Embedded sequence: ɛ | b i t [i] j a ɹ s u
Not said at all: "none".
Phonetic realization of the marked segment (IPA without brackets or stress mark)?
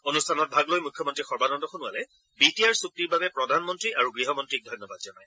i